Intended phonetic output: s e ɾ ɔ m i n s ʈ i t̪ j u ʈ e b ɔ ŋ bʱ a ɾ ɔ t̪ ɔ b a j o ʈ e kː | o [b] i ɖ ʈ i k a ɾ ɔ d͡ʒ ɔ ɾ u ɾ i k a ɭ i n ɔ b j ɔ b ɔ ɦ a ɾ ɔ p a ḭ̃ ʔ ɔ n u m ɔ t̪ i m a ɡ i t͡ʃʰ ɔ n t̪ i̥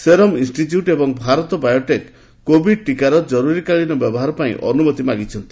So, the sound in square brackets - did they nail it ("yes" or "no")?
yes